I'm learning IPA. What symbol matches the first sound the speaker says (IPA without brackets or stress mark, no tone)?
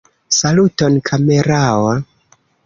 s